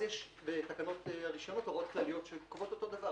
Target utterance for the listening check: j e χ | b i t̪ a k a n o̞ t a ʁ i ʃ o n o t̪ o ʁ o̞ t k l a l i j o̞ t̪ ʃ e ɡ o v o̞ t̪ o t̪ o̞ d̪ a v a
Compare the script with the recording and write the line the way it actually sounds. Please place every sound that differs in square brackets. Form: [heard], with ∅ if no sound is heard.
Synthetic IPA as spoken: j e [ʃ] | b [e] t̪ a k a n o̞ t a ʁ i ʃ o n o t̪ o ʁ o̞ t k l a l i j o̞ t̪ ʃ e [k] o v o̞ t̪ o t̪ o̞ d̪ a v a